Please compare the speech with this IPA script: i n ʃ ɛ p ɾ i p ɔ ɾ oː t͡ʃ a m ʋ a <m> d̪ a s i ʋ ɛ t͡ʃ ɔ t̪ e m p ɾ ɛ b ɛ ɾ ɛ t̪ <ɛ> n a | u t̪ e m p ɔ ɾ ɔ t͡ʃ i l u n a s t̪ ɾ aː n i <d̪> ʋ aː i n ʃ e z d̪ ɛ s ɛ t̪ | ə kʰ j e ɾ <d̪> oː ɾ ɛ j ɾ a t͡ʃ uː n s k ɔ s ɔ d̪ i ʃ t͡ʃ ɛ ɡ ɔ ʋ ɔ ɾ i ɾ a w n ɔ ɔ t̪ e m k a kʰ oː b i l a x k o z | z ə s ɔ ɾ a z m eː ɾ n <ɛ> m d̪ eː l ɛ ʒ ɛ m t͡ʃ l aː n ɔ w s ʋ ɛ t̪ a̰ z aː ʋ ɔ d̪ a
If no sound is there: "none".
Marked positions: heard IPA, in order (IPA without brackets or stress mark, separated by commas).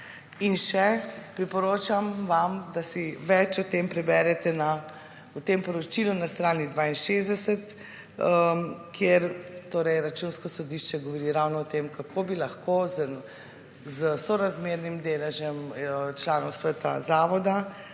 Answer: m, ɛ, d̪, t̪, i